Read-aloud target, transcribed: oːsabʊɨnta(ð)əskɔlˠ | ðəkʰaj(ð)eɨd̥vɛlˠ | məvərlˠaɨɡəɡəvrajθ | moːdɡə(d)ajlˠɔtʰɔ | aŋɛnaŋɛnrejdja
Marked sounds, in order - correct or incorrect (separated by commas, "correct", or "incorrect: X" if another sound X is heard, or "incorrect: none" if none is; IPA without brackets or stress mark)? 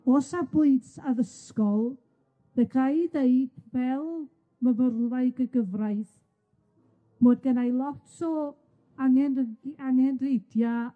correct, correct, incorrect: n